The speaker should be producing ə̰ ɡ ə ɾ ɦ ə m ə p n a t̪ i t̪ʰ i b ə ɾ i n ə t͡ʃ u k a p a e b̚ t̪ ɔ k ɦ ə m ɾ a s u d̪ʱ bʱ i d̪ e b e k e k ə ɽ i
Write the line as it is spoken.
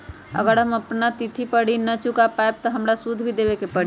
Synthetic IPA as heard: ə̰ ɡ ə ɾ ɦ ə m ə p n a t̪ i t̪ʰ i p ə ɽ i n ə t͡ʃ u k a p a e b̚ t̪ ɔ ɦ ə m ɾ a s u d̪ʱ bʱ i d̪ e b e k e p ə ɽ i